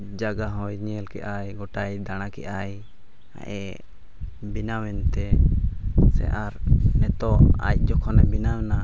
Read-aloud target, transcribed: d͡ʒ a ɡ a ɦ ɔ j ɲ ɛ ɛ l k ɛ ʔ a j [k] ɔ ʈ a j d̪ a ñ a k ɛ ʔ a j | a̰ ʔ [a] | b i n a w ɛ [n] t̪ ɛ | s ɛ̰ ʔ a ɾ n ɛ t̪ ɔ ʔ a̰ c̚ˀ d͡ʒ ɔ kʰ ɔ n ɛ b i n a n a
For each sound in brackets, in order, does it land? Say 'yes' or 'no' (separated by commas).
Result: no, no, yes